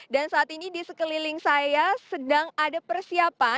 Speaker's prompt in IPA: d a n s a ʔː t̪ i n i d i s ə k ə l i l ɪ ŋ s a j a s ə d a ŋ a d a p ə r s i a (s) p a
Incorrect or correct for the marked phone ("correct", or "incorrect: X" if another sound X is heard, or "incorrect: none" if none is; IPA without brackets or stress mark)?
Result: incorrect: none